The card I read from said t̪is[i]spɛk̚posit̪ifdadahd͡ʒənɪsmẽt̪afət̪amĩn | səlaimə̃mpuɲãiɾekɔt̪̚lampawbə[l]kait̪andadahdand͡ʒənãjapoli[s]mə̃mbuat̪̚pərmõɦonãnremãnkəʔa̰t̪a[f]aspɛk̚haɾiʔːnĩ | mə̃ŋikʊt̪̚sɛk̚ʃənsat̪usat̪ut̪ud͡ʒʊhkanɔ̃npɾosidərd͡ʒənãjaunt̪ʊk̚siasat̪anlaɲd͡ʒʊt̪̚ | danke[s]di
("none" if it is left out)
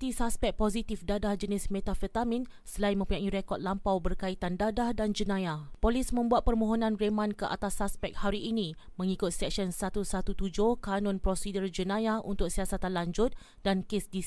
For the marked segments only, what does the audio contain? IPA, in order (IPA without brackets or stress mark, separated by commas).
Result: a, r, s, s, s